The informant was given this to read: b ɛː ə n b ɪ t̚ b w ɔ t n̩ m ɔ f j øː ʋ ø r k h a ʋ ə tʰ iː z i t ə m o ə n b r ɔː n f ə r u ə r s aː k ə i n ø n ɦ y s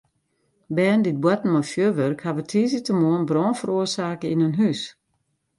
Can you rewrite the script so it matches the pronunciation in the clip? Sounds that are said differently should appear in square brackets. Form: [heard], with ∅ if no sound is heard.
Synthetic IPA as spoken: b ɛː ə n [d] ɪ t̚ b w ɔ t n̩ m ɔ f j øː ʋ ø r k h a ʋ ə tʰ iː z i t ə m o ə n b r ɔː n f ə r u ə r s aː k ə i n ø n ɦ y s